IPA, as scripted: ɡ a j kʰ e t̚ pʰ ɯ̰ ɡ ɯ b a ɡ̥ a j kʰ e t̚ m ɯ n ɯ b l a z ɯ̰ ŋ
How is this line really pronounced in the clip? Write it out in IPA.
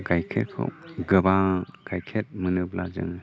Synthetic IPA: ɡ a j kʰ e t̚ kʰ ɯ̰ ɡ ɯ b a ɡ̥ a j kʰ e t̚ m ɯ n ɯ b l a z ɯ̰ ŋ